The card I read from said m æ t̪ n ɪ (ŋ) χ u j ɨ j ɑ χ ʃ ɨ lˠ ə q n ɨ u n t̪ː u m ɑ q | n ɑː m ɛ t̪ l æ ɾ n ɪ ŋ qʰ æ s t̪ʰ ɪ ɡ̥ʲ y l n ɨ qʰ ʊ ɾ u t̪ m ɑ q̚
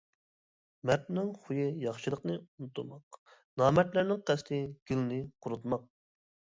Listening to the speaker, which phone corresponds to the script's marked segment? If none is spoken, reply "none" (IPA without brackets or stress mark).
ŋ